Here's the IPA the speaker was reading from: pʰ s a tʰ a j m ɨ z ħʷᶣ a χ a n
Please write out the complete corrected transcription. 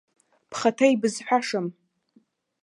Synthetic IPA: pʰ χ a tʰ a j b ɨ z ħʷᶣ a ʂ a m